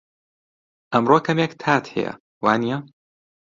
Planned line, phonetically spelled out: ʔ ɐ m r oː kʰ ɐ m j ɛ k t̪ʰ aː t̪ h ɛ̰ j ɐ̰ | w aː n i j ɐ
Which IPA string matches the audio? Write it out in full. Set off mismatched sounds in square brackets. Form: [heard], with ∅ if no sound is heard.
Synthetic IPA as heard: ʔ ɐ m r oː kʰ ɐ m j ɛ k t̪ʰ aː t̪ h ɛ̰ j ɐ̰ | w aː n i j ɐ